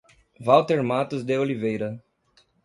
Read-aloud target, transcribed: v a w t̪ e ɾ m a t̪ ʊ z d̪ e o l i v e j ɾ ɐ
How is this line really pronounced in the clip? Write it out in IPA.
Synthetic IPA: v a w t̪ e ɾ m a t̪ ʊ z d̪ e o l i v e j ɾ ɐ